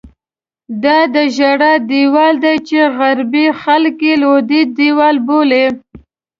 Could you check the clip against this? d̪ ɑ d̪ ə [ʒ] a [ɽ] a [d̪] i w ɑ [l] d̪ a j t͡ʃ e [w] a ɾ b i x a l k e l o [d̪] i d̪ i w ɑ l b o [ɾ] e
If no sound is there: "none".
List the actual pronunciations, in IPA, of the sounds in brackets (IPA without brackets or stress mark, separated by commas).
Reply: ʒ, ɽ, d̪, l, ɣ, d̪, l